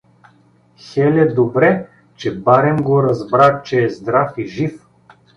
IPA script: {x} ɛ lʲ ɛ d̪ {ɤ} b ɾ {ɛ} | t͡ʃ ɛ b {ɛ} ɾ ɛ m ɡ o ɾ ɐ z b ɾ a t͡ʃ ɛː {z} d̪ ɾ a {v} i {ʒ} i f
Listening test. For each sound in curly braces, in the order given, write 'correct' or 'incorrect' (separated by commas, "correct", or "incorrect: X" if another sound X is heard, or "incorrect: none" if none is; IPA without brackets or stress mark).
correct, incorrect: o, correct, incorrect: a, correct, incorrect: f, correct